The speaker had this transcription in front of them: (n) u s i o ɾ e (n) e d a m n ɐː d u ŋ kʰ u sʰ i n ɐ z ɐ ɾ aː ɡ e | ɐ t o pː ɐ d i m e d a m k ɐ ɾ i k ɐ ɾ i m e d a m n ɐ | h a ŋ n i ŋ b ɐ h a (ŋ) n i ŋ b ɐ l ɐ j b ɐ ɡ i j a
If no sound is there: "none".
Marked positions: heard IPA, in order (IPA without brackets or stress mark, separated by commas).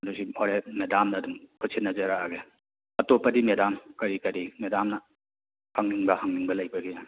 d, m, ŋ